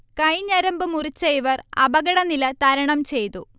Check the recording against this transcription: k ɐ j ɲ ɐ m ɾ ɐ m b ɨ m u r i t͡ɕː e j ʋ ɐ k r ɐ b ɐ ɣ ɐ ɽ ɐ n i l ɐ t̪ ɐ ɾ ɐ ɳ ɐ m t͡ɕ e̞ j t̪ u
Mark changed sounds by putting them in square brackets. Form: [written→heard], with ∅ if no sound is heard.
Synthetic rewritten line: k ɐ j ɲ ɐ [m→∅] ɾ ɐ m b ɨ m u r i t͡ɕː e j ʋ ɐ [k→∅] r ɐ b ɐ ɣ ɐ ɽ ɐ n i l ɐ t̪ ɐ ɾ ɐ ɳ ɐ m t͡ɕ e̞ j t̪ u